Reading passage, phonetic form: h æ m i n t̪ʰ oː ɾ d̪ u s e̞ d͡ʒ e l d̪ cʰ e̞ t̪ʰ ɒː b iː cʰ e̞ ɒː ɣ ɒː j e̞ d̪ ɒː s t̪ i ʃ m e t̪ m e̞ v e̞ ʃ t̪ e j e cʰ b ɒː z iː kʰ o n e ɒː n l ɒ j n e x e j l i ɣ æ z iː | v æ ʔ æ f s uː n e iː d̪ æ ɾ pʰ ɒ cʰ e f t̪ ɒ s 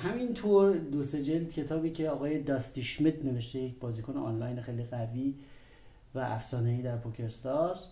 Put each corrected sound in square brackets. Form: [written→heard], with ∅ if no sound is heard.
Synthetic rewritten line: h æ m i n t̪ʰ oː ɾ d̪ [u→o] s e̞ d͡ʒ e l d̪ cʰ e̞ t̪ʰ ɒː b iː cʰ e̞ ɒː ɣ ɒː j e̞ d̪ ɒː s t̪ i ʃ m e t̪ [m→n] e̞ v e̞ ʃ t̪ e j e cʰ b ɒː z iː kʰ o n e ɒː n l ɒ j n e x e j l i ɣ æ [z→v] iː | v æ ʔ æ f s [uː→ɒː] n e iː d̪ æ ɾ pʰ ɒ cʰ e [f→s] t̪ ɒ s